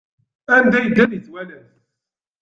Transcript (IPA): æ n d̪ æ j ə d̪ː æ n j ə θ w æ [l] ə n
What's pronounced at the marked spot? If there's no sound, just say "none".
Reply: l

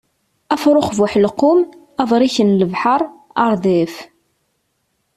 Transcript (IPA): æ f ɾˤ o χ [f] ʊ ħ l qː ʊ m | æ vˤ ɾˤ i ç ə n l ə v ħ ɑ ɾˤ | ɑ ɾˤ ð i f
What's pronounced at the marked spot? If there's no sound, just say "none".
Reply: v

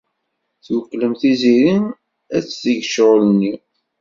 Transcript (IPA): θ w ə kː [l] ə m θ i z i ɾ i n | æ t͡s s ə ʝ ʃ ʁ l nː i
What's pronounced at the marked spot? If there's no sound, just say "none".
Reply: l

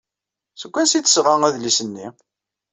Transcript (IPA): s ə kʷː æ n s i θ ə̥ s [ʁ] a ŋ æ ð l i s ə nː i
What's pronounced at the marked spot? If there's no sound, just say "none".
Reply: ʁ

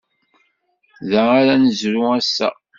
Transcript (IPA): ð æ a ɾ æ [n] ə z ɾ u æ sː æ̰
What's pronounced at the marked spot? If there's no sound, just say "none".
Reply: n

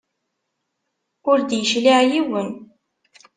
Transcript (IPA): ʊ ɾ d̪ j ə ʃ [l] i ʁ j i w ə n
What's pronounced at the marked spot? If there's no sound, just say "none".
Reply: l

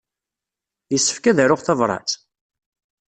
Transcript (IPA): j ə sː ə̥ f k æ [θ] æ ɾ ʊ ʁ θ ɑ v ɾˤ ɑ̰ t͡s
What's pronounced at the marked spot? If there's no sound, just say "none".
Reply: ð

